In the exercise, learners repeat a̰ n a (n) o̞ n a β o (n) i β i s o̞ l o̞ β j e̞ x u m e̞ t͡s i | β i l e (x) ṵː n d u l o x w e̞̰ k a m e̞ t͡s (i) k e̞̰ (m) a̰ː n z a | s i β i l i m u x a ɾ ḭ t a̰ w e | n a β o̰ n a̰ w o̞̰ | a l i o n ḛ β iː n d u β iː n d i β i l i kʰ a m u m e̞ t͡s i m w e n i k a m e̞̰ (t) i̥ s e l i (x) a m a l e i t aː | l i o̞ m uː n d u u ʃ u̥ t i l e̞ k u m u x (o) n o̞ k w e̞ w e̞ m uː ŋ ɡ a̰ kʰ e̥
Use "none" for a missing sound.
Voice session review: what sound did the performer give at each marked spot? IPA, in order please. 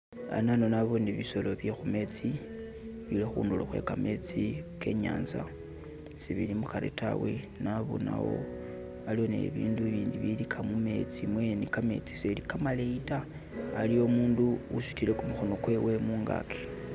n, n, x, i, ɲ, t͡s, k, o

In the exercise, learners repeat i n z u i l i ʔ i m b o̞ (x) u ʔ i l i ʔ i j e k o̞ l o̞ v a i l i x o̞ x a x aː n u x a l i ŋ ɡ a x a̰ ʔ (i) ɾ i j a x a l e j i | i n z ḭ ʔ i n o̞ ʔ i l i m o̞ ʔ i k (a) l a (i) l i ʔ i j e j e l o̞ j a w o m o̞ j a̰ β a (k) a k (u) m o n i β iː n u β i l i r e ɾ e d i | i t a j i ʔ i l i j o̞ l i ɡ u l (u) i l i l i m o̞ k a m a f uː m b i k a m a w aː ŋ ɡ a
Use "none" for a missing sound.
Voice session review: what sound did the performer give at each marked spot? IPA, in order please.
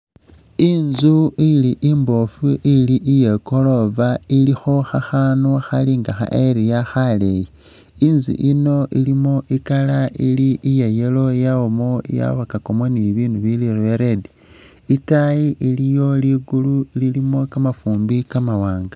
f, e, a, i, k, o, u

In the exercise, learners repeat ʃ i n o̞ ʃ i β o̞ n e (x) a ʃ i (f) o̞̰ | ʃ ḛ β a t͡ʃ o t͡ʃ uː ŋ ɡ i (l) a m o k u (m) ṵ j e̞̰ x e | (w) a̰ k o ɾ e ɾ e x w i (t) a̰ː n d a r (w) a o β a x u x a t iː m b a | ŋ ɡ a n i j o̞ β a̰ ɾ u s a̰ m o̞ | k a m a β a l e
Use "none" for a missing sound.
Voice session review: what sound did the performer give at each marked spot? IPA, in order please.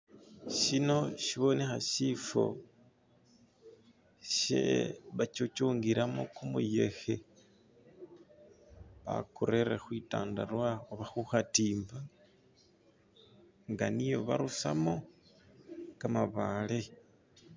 x, f, ɾ, m, β, t, w

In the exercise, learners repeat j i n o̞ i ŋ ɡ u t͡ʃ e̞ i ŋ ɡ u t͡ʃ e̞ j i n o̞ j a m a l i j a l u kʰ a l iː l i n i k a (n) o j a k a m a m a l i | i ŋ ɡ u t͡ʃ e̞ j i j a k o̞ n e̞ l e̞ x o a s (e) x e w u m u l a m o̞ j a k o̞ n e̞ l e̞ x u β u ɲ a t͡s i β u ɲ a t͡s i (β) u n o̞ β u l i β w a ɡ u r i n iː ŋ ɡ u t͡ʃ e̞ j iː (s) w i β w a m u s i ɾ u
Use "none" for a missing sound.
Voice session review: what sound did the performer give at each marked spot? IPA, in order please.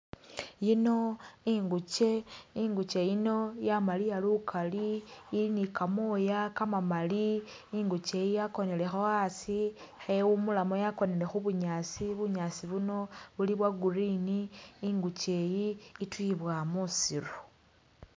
m, i, β, t

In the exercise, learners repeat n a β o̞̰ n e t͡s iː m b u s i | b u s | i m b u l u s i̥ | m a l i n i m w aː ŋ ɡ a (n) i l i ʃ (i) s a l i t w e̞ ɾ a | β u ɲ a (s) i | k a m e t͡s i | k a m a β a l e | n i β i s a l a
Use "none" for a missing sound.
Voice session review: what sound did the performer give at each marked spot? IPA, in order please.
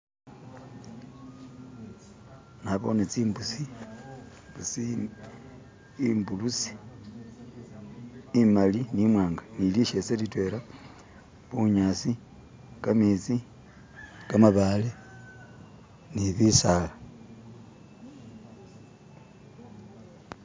n, e, s

